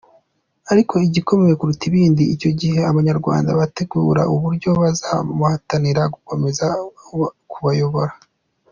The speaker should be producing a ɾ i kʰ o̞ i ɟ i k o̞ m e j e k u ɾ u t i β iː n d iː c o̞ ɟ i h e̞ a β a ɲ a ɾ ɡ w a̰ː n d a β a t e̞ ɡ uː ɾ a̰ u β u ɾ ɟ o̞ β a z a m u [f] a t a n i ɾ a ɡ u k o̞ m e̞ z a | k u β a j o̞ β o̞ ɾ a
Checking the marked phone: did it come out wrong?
yes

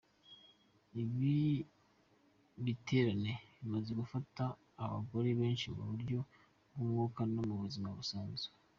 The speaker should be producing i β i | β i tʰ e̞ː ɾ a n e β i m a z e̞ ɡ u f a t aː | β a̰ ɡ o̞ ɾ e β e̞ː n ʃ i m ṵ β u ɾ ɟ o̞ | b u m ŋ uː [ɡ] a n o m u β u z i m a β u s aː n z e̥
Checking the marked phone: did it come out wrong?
yes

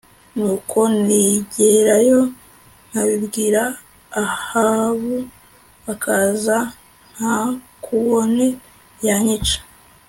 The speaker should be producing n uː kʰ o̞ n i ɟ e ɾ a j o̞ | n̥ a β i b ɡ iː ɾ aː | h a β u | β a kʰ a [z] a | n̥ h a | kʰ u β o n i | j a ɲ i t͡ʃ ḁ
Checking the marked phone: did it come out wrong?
no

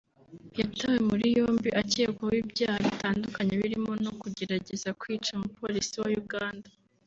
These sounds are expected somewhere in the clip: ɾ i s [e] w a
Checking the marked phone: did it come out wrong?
yes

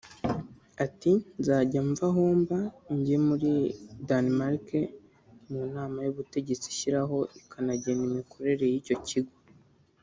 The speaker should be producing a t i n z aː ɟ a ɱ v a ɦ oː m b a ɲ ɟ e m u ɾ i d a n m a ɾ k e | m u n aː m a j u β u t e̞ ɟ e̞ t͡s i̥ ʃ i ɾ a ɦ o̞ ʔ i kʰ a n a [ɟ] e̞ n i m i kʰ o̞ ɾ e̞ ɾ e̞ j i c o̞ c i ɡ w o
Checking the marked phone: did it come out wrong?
no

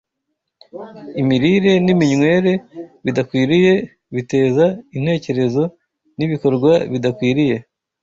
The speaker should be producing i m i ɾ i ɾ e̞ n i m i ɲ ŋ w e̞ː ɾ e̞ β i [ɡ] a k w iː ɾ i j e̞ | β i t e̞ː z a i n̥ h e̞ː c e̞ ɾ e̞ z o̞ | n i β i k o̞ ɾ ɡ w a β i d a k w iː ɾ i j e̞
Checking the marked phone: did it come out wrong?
yes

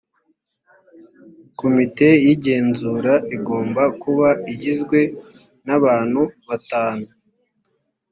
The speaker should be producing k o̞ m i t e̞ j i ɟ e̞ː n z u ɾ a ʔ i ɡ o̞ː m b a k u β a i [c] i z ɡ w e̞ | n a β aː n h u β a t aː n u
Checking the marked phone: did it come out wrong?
yes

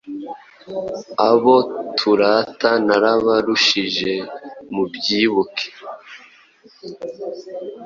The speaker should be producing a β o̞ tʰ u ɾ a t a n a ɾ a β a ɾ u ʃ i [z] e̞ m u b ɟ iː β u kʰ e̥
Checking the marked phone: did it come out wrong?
yes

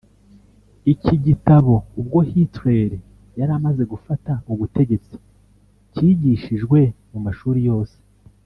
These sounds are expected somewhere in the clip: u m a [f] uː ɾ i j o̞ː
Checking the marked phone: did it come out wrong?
yes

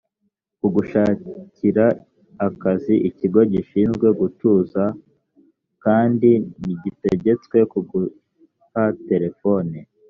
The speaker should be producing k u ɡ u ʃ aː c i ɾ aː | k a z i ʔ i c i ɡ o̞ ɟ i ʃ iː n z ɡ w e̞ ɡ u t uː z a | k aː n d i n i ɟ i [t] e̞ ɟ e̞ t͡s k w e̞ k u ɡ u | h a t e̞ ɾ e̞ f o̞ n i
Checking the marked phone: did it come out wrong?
no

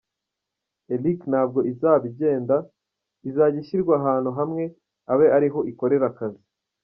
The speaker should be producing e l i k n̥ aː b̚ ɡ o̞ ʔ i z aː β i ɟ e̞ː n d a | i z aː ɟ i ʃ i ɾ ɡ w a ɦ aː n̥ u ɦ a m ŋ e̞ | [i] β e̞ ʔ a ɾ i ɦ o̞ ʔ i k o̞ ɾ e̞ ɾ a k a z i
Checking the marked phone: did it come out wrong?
yes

